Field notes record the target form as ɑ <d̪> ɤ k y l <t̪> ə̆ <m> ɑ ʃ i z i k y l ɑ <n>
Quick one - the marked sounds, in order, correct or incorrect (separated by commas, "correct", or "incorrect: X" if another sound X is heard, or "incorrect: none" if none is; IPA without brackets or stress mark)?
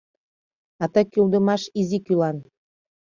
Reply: incorrect: t̪, incorrect: d̪, correct, correct